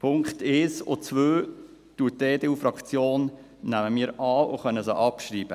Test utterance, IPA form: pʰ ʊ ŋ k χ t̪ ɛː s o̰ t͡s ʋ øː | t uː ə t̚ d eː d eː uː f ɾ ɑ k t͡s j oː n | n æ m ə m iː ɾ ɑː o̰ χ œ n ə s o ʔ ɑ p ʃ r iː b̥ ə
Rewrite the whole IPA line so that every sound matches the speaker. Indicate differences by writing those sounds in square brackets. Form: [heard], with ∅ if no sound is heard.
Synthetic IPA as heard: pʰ ʊ ŋ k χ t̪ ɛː s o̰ t͡s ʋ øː | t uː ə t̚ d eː d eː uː f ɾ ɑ k t͡s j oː n | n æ m ə m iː ɾ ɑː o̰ χ œ n ə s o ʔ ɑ p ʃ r iː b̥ ə